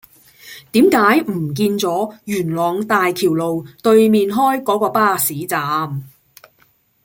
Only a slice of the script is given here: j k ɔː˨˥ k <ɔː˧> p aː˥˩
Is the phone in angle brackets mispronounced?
no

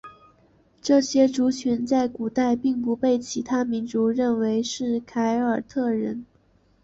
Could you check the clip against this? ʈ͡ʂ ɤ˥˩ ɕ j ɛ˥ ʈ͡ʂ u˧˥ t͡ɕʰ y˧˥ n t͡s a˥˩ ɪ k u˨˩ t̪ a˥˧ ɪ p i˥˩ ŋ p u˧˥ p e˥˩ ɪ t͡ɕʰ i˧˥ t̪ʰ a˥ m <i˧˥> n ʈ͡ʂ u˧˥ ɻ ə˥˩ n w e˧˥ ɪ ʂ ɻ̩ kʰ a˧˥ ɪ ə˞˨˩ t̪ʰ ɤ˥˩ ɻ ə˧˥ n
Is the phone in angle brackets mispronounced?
no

